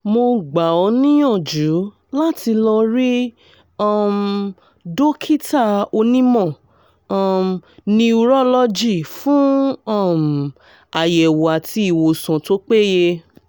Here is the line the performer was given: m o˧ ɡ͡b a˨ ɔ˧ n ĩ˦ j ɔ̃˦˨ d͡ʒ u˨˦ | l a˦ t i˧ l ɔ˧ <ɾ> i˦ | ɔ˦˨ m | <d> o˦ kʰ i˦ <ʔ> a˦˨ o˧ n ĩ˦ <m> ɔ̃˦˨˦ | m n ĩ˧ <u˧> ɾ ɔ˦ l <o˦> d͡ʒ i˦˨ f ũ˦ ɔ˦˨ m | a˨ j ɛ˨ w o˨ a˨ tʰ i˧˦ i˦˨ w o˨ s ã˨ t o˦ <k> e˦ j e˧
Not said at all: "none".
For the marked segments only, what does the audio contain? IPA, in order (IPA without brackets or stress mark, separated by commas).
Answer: ɾ, d, t, m, u˧, ɔ˦, k͡p